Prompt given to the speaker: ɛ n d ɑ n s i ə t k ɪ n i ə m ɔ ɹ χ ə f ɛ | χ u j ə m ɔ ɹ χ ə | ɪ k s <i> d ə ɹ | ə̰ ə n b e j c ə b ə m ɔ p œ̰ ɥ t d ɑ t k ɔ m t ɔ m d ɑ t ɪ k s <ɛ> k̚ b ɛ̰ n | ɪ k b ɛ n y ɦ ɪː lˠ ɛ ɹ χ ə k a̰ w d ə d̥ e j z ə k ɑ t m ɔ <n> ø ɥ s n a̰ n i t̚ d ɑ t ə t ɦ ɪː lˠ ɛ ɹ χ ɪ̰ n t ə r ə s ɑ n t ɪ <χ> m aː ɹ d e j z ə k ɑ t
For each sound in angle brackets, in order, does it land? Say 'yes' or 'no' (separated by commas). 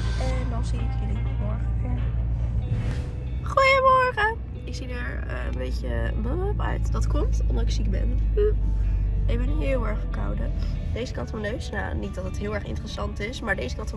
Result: yes, no, yes, no